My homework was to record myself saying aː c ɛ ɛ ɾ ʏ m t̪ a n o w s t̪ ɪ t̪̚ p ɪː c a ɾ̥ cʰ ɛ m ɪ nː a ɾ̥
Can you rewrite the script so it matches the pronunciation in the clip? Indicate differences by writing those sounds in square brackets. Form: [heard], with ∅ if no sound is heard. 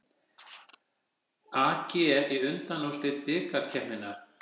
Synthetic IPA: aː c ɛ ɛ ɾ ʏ [n] t̪ a n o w s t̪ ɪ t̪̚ p ɪː [k] a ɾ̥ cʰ ɛ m ɪ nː a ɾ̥